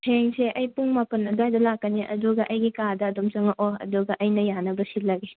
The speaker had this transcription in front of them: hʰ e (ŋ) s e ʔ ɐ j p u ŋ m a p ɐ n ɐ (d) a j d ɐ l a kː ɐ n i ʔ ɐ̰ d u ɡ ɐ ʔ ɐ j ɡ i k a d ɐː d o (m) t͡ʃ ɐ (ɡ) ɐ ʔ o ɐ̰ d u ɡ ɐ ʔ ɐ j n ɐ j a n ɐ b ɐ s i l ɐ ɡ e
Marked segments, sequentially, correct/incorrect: correct, correct, correct, incorrect

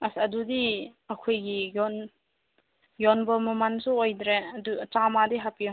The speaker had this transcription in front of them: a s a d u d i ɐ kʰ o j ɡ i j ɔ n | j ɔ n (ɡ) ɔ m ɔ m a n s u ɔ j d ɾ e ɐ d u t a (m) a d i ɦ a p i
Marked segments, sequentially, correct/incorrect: incorrect, correct

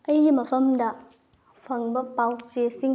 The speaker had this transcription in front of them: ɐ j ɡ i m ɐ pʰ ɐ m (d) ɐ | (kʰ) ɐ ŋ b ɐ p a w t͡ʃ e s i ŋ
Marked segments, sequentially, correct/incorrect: correct, incorrect

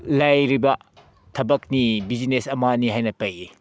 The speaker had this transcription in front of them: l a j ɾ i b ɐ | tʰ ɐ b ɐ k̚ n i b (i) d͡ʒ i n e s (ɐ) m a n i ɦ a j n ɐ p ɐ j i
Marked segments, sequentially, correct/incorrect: correct, correct

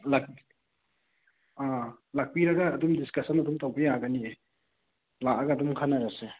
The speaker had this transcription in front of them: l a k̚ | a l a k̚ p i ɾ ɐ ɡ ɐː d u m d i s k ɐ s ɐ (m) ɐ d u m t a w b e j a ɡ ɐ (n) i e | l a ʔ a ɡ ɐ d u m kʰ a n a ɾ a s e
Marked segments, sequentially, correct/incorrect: incorrect, correct

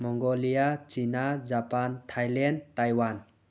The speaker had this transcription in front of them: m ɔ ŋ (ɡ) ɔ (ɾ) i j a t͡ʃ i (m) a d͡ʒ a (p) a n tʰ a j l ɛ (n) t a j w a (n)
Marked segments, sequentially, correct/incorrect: correct, incorrect, incorrect, correct, correct, correct

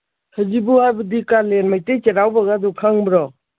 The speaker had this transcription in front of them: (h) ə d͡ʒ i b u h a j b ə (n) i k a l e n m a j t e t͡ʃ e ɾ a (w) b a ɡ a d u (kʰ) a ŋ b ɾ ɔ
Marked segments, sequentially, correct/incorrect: correct, incorrect, correct, correct

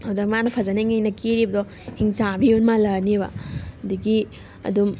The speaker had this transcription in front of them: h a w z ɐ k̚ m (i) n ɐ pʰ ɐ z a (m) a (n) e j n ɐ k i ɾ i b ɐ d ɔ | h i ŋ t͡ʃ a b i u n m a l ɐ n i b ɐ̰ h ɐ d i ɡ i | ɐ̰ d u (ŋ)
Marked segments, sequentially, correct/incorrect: incorrect, incorrect, incorrect, incorrect

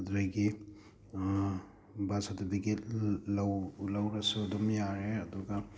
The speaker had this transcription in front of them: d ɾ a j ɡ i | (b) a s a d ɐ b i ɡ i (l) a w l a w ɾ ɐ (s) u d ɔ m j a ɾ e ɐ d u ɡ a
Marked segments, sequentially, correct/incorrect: correct, correct, correct

